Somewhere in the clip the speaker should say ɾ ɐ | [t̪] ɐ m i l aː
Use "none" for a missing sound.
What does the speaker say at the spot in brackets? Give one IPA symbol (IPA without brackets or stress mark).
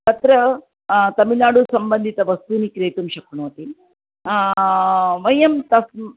t̪